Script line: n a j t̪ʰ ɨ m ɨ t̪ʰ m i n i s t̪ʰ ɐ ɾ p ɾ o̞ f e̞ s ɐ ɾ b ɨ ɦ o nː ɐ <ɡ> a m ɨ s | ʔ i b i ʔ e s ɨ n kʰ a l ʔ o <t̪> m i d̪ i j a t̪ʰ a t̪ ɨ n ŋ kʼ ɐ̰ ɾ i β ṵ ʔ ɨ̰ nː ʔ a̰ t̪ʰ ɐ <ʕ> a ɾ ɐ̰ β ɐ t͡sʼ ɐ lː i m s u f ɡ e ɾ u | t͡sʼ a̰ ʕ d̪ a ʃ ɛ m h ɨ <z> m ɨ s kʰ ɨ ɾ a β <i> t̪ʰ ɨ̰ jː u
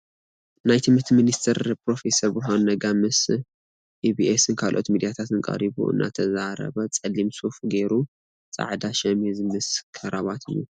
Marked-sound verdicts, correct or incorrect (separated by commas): correct, correct, incorrect, correct, incorrect